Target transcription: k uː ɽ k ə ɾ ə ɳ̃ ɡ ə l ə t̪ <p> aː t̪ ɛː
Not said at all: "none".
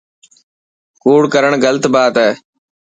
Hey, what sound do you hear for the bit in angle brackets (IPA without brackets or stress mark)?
b